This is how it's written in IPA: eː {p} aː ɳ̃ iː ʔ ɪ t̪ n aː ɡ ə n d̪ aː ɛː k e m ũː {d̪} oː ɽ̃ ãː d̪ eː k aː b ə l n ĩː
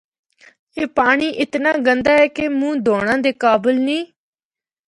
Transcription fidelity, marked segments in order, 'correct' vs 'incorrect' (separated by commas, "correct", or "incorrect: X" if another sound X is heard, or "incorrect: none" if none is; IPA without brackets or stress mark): correct, correct